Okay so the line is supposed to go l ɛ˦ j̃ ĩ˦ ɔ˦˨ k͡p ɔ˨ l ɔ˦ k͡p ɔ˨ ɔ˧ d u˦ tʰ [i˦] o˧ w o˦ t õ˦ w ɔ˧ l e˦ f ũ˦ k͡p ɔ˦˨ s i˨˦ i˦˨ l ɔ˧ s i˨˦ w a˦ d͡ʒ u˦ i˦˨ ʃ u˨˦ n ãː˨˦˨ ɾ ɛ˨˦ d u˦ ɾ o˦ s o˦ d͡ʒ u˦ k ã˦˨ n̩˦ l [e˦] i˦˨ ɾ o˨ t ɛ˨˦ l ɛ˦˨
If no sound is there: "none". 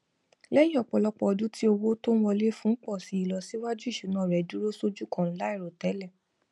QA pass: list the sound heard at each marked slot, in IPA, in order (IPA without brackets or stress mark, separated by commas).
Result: i˦, a˦